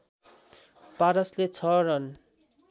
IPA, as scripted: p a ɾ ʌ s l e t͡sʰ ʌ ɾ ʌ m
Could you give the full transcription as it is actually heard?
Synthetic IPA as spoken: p a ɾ ʌ s l e t͡sʰ ʌ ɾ ʌ n